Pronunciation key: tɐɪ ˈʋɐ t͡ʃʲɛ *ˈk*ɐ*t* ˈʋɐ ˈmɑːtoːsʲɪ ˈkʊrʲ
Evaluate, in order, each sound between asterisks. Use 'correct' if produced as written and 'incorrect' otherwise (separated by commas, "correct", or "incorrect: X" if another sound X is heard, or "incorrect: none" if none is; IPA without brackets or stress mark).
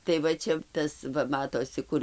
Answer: incorrect: t, incorrect: s